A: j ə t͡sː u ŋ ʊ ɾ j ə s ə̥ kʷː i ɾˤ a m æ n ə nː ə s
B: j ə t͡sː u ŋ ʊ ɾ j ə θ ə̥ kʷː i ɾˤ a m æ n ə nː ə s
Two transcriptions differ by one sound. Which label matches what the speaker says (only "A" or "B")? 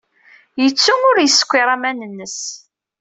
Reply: A